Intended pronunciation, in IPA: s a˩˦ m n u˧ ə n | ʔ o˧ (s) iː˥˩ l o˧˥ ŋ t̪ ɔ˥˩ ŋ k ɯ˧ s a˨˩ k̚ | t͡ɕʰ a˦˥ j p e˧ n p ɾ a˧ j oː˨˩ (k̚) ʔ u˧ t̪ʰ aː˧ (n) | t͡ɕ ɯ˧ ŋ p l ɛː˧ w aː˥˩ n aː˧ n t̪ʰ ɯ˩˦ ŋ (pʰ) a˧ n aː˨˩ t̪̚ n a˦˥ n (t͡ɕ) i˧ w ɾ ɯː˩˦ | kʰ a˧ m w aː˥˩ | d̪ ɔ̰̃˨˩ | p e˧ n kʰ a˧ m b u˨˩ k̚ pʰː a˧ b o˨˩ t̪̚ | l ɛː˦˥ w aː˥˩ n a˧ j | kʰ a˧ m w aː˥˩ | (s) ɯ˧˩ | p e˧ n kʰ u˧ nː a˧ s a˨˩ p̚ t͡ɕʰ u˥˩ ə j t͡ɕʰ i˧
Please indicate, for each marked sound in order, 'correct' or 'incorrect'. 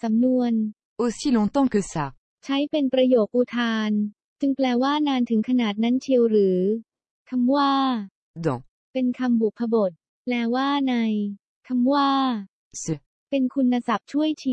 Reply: correct, correct, correct, incorrect, incorrect, correct

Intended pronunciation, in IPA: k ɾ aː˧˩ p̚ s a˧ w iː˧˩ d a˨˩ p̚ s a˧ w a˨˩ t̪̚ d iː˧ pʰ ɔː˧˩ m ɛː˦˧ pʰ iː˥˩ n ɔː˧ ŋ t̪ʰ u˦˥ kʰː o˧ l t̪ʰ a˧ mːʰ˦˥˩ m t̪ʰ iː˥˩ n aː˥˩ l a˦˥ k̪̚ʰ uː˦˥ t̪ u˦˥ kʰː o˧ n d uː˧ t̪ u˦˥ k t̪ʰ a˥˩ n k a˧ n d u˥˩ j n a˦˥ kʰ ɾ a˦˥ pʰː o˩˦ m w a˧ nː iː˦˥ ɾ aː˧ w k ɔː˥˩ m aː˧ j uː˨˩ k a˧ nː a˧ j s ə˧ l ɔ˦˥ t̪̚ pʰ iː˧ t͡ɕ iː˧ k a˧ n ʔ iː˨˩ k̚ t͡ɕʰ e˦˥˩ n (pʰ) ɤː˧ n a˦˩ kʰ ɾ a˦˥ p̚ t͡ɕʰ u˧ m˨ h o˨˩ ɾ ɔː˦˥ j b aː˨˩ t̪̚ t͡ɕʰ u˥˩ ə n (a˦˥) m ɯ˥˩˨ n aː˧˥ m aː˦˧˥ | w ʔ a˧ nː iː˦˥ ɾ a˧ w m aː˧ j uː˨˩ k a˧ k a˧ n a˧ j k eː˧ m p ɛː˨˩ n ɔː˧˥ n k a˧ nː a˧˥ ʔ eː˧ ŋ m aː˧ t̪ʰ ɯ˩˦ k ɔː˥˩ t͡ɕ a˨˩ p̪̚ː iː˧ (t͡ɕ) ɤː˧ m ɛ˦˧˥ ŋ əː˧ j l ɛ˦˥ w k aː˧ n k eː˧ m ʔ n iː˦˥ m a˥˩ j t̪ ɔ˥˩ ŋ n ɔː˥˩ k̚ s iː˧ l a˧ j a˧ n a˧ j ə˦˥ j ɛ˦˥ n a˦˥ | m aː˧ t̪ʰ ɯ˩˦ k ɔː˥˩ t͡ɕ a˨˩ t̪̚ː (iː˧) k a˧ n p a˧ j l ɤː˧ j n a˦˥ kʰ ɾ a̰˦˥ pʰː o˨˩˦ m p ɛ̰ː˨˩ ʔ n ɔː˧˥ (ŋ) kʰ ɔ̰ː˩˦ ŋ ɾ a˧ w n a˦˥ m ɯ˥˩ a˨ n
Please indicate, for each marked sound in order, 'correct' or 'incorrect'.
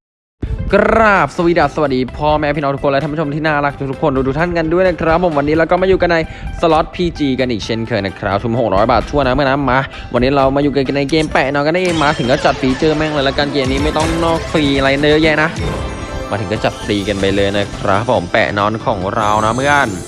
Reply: incorrect, correct, correct, correct, incorrect

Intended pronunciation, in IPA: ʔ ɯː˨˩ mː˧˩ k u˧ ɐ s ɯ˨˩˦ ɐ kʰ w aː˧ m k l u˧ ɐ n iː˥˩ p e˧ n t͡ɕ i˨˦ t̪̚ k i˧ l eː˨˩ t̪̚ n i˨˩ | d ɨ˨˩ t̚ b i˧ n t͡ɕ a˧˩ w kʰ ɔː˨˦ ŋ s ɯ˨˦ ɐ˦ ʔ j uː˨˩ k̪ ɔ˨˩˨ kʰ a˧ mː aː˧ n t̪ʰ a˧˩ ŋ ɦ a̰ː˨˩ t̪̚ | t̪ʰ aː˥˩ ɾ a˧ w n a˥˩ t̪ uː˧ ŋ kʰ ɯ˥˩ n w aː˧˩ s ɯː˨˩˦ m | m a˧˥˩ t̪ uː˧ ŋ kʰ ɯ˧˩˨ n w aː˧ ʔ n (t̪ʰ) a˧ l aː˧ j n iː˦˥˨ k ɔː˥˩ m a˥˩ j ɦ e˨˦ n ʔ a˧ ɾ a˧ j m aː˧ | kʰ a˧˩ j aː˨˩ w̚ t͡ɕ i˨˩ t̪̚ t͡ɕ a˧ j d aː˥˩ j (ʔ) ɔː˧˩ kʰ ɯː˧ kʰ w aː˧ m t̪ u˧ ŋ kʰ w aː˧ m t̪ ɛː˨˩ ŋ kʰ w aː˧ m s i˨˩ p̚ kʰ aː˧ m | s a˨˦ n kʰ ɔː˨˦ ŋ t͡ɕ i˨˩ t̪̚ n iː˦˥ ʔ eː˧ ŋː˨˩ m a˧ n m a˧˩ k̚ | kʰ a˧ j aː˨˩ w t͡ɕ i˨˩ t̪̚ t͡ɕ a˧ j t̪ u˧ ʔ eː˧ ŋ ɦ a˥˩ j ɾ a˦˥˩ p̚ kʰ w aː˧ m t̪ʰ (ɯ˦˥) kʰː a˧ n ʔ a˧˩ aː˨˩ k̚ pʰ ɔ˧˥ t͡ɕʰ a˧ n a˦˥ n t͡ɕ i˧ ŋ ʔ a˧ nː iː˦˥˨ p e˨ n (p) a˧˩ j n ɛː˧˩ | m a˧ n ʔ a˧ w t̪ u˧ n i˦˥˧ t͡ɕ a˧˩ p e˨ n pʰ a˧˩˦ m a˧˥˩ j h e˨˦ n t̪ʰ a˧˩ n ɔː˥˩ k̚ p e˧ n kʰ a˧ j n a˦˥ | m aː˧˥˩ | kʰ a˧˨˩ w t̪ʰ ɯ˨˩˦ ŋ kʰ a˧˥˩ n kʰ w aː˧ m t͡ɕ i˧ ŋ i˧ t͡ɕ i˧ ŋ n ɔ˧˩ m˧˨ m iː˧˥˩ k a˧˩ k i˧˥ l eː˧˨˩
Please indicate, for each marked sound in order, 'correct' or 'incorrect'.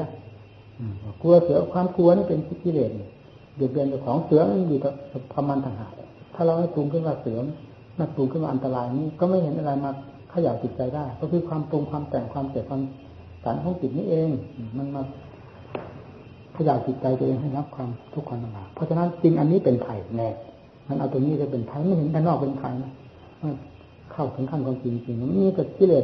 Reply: incorrect, incorrect, incorrect, incorrect

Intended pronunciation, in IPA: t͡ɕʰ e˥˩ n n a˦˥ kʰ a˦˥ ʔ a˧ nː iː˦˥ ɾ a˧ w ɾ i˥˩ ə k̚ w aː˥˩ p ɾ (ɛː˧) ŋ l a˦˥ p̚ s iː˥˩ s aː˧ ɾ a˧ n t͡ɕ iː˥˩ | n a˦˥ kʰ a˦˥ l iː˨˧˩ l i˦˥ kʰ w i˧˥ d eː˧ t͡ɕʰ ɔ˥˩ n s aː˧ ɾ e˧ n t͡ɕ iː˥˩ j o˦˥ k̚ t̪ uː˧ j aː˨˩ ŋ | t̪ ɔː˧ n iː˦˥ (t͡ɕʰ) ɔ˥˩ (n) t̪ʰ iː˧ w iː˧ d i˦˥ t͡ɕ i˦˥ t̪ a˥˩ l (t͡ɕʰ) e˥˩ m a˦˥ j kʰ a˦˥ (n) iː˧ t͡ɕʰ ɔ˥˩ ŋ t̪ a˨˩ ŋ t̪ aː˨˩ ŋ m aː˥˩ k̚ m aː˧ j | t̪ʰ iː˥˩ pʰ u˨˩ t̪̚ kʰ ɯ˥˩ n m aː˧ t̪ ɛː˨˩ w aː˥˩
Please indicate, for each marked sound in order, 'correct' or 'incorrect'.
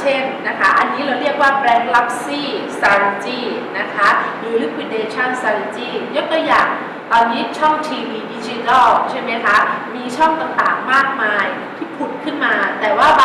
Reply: correct, correct, incorrect, correct, incorrect

